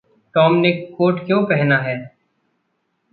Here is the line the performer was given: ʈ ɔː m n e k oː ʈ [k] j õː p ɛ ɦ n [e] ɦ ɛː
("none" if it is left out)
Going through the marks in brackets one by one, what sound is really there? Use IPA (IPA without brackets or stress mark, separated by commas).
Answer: k, a